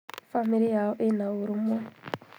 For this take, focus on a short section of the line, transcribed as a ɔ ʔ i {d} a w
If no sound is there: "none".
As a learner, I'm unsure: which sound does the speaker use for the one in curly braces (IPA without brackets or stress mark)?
n